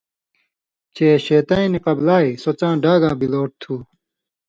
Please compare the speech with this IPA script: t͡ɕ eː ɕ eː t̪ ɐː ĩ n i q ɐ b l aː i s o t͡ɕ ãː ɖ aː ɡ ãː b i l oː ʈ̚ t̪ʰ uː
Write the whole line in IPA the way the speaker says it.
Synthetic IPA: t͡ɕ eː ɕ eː t̪ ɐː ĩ n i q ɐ b l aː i s o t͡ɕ ãː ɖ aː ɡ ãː b i l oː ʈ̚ t̪ʰ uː